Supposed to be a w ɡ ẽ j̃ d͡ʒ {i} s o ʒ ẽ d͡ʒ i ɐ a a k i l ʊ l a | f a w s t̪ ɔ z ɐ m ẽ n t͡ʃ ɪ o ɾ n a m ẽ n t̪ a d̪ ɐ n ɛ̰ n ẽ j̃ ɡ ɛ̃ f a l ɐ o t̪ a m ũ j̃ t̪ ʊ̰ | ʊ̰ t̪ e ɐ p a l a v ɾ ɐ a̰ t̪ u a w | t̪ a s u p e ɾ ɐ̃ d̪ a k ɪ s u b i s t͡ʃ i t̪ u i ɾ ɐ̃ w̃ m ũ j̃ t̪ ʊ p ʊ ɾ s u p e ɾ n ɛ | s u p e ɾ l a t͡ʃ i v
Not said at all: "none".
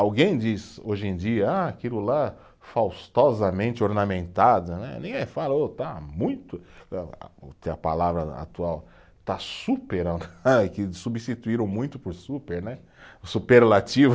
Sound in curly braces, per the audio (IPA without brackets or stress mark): i